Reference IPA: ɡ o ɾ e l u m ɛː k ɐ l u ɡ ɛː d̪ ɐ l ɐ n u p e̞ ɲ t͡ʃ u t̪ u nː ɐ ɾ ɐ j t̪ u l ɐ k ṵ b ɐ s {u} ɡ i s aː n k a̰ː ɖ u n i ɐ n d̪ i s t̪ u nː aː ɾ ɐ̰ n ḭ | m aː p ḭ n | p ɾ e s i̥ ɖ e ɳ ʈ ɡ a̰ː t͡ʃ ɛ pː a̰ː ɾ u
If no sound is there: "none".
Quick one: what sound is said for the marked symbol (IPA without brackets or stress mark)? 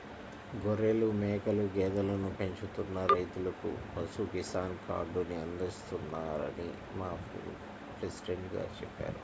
u